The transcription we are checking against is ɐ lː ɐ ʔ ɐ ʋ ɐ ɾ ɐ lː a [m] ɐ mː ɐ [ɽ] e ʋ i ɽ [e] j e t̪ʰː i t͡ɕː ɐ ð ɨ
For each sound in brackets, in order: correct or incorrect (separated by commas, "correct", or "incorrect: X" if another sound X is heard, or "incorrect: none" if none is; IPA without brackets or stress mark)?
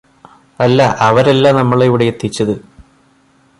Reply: incorrect: n, incorrect: ɭ, correct